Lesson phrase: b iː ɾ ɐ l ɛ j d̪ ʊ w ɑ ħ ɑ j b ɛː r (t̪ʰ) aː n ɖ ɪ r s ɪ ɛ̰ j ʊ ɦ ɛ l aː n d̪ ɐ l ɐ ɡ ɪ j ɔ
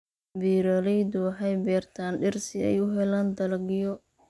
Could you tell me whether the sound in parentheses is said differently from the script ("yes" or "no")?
no